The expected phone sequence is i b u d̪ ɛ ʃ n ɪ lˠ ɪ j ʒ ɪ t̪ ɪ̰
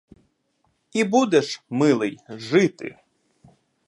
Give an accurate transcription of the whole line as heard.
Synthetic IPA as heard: i b u d̪ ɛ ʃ m ɪ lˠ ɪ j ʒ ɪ t̪ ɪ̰